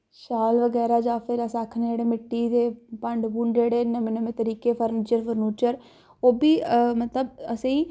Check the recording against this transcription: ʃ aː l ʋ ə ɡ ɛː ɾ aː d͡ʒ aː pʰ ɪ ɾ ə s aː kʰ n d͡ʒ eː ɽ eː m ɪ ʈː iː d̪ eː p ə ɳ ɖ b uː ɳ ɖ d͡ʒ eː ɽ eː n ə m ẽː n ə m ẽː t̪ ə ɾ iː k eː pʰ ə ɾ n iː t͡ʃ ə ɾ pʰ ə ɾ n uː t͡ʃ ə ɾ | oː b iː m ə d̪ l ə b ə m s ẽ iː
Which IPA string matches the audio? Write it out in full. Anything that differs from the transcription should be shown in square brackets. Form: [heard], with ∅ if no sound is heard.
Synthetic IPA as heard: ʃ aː l ʋ ə ɡ ɛː ɾ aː d͡ʒ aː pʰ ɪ ɾ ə s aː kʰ n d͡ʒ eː ɽ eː m ɪ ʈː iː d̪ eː p ə ɳ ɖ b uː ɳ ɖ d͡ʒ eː ɽ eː n ə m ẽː n ə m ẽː t̪ ə ɾ iː k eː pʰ ə ɾ n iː t͡ʃ ə ɾ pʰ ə ɾ n uː t͡ʃ ə ɾ | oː b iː m ə [t̪] l ə b ə [∅] s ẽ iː

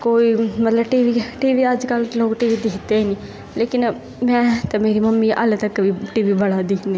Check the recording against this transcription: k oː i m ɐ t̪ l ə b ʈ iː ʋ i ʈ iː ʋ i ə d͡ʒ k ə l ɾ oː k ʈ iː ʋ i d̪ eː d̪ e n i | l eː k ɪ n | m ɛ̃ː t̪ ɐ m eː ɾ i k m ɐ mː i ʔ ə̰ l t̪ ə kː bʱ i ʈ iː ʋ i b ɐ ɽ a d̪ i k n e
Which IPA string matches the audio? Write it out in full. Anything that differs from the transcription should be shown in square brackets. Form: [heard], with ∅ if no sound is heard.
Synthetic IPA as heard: k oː i m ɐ t̪ l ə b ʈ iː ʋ i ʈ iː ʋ i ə d͡ʒ k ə l [l] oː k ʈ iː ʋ i d̪ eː [t̪] e n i | l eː k ɪ n | m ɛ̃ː t̪ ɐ m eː ɾ i [∅] m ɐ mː i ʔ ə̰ l t̪ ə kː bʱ i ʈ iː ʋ i b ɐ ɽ a d̪ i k n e

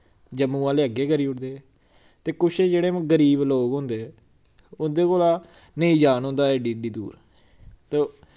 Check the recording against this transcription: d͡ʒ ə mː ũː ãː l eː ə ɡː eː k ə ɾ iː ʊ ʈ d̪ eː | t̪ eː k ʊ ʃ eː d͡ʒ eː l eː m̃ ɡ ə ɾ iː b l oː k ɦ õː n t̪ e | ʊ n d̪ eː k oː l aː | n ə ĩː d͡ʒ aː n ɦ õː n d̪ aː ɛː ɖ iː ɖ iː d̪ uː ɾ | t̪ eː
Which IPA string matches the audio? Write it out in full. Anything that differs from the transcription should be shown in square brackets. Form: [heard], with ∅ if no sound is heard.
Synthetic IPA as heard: d͡ʒ ə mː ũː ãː l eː ə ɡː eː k ə ɾ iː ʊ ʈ d̪ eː | t̪ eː k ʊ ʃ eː d͡ʒ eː [ɽ] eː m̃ ɡ ə ɾ iː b l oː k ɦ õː n [d̪] e | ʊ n d̪ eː k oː l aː | n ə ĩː d͡ʒ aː n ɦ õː n d̪ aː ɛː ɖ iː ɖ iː d̪ uː ɾ | t̪ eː

